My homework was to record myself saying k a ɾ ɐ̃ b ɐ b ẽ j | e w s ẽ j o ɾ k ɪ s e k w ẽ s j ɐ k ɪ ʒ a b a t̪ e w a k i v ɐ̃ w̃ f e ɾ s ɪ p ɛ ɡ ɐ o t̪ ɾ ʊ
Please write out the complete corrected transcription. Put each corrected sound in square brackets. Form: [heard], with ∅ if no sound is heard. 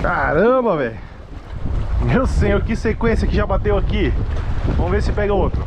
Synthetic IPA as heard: k a ɾ ɐ̃ b ɐ [v] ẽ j | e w s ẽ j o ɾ k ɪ s e k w ẽ s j ɐ k ɪ ʒ a b a t̪ e w a k i v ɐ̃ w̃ [v] e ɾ s ɪ p ɛ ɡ ɐ o t̪ ɾ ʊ

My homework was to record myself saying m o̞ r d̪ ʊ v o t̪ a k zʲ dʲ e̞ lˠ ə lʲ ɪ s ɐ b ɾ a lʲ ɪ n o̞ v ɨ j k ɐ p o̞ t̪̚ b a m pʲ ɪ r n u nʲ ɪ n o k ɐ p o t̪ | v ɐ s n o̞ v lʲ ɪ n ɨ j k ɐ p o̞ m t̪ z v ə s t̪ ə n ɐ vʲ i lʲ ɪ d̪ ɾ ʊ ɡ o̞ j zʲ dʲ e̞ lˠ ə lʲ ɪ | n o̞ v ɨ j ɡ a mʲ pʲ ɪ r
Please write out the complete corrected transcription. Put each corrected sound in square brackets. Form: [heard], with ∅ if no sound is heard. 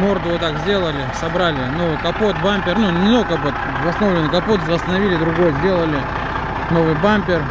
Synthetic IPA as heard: m o̞ r d̪ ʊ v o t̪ a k zʲ dʲ e̞ lˠ ə lʲ ɪ s ɐ b ɾ a lʲ ɪ n o̞ v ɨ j k ɐ p o̞ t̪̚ b a m pʲ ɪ r n u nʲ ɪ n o k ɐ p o t̪ | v ɐ s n o̞ v lʲ ɪ n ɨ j k ɐ p o̞ [∅] t̪ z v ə s t̪ ə n ɐ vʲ i lʲ ɪ d̪ ɾ ʊ ɡ o̞ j zʲ dʲ e̞ lˠ ə lʲ ɪ | n o̞ v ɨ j [b] a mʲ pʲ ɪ r

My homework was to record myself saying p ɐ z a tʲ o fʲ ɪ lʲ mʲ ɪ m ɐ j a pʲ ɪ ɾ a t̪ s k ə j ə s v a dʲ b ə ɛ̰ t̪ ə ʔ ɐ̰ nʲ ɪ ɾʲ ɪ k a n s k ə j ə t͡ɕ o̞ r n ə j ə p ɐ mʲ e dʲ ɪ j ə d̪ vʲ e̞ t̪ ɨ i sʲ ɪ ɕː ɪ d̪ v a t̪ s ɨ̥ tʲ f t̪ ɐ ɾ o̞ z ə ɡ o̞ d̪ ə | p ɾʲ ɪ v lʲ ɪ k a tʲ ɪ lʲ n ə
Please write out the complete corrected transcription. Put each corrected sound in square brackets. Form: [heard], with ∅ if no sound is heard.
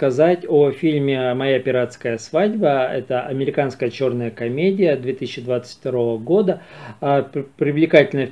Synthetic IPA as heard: [k] ɐ z a tʲ o fʲ [i] lʲ mʲ ɪ m ɐ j a pʲ ɪ ɾ a t̪ s k ə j ə s v a dʲ b ə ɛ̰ t̪ ə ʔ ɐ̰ [mʲ] ɪ ɾʲ ɪ k a n s k ə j ə t͡ɕ o̞ r n ə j ə [k] ɐ mʲ e dʲ ɪ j ə d̪ vʲ e̞ t̪ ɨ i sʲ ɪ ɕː ɪ d̪ v a t̪ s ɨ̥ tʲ f t̪ ɐ ɾ o̞ [v] ə ɡ o̞ d̪ ə | p ɾʲ ɪ v lʲ ɪ k a tʲ ɪ lʲ n ə

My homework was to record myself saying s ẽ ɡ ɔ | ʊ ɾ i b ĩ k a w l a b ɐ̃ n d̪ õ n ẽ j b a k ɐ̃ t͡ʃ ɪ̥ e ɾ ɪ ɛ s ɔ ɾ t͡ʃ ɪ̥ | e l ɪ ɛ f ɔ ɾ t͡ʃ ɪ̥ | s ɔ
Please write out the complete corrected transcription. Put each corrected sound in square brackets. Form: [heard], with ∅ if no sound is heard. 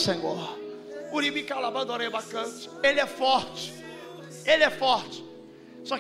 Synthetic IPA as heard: s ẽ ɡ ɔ | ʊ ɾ i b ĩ k a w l a b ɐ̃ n d̪ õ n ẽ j b a k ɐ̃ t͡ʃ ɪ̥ e [l] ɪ ɛ [f] ɔ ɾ t͡ʃ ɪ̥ | e l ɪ ɛ f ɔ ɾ t͡ʃ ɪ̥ | s ɔ

